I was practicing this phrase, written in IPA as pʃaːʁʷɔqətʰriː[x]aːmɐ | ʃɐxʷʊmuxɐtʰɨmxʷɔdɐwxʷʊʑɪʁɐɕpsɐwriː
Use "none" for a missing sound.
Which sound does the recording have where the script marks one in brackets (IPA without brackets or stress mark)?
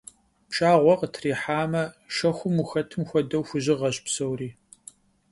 ħ